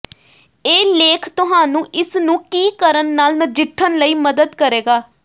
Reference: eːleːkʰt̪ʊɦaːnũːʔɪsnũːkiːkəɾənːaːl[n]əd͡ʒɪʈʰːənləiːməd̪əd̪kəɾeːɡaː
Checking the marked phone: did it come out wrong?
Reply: no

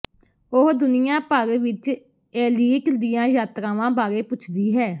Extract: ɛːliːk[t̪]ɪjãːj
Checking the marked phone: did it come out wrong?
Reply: yes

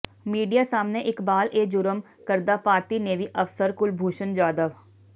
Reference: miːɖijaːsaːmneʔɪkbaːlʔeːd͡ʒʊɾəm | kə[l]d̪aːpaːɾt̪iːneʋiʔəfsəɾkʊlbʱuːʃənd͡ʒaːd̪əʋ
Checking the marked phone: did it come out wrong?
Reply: yes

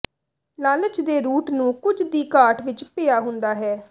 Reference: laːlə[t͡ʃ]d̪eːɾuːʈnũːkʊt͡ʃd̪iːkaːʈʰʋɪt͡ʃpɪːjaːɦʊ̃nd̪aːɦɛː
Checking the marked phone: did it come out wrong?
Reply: no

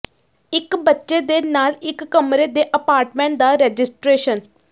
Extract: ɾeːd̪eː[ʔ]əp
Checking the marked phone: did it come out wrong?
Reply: no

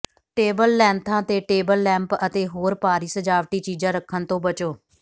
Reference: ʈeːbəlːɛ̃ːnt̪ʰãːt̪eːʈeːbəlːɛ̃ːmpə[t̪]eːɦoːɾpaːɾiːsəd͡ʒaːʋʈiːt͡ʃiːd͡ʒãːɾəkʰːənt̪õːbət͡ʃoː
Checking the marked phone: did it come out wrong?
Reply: no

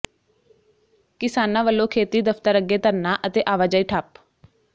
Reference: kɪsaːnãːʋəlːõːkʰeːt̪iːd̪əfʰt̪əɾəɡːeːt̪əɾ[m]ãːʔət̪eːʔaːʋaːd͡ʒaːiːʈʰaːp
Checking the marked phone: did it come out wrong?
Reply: yes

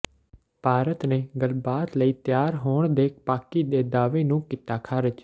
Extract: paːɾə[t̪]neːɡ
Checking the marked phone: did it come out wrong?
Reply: no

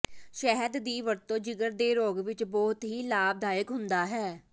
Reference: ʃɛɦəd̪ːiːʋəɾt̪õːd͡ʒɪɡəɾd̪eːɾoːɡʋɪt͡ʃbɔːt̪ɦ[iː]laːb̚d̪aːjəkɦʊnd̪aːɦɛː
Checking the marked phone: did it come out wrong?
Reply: no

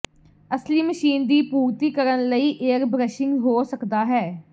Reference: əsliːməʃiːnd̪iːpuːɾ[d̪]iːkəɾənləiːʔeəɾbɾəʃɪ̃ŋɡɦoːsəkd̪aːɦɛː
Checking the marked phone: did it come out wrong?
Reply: yes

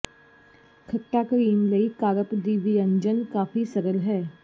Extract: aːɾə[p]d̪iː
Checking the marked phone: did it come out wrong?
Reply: no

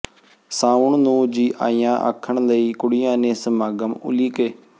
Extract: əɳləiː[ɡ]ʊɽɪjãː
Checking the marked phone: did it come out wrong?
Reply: yes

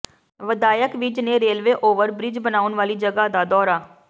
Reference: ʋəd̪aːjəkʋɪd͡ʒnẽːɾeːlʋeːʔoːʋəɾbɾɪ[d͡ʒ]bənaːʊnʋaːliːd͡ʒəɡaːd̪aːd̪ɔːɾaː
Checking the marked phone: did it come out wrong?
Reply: no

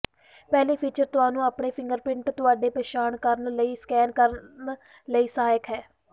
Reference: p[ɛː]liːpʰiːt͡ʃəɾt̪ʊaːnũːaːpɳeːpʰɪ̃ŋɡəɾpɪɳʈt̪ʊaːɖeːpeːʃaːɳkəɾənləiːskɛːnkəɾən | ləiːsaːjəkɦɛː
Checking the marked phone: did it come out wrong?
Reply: no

